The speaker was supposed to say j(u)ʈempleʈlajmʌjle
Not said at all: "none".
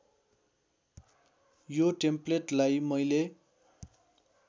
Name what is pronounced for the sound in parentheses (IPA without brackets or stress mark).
o